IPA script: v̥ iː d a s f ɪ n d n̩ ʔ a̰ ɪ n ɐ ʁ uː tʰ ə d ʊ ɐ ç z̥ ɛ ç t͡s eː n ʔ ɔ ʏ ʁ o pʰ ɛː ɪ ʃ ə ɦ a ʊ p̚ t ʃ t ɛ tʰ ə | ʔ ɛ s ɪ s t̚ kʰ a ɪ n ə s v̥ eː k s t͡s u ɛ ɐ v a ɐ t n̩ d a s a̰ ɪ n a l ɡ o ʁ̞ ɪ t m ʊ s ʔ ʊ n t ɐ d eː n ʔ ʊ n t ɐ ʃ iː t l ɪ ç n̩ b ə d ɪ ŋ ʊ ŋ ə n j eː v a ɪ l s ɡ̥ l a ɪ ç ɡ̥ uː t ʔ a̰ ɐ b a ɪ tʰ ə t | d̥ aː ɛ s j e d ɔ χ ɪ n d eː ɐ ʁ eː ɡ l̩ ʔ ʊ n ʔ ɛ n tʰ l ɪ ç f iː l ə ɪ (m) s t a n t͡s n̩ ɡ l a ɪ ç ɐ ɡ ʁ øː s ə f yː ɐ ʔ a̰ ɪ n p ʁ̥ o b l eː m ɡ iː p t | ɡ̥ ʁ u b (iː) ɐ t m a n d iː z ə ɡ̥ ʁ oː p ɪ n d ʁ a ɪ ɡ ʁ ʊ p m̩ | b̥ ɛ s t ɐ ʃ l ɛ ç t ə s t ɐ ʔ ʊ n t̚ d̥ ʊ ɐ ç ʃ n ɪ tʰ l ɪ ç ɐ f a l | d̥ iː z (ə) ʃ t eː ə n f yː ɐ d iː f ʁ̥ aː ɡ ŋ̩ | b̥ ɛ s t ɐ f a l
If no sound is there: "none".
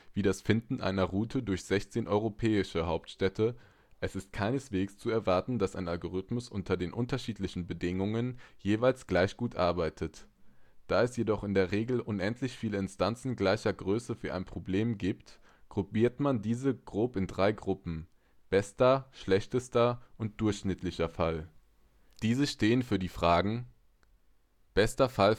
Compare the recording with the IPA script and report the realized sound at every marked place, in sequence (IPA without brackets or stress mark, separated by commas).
n, iː, ə